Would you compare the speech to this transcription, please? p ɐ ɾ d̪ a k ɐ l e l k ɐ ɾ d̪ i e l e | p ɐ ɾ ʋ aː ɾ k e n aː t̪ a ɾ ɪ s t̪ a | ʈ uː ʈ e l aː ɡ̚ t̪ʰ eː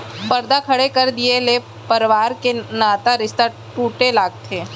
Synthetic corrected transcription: p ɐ ɾ d̪ a kʰ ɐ ɽ e k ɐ ɾ d̪ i e l e | p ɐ ɾ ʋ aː ɾ k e n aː t̪ a ɾ ɪ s t̪ a | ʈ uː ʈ e l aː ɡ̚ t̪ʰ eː